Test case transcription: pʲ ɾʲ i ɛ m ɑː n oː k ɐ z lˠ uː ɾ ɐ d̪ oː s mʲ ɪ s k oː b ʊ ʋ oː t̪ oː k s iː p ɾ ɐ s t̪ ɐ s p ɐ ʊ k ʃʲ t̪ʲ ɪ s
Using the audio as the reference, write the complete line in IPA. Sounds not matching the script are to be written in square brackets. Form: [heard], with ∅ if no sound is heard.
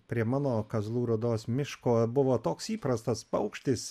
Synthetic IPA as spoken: pʲ ɾʲ i ɛ m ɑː n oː k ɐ z lˠ uː ɾ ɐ d̪ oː s mʲ ɪ [ʃ] k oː b ʊ ʋ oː t̪ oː k s iː p ɾ ɐ s t̪ ɐ s p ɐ ʊ k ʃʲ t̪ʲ ɪ s